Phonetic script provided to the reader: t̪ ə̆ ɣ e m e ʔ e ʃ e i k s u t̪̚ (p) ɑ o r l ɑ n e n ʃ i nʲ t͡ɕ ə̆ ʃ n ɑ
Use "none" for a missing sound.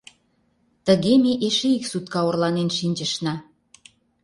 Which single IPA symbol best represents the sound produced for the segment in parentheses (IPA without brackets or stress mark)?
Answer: k